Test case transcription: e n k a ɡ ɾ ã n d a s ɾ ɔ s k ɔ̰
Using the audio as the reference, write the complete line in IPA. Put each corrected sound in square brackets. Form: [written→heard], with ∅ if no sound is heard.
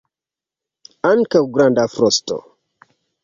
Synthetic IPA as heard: [e→a] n k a ɡ ɾ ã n d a [s→f] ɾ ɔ s [k→t] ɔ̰